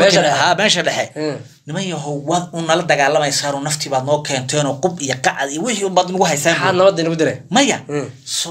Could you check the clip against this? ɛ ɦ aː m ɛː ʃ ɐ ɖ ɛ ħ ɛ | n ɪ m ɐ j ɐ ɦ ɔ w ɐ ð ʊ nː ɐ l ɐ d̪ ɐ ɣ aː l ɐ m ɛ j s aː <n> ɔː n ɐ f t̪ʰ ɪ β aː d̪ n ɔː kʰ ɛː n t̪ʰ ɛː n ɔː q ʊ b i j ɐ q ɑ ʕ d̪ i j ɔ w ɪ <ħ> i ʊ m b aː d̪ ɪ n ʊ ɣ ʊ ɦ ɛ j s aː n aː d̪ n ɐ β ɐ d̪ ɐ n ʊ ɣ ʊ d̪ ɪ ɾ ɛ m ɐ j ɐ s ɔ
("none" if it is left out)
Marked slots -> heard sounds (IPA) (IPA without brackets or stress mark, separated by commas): n, ħ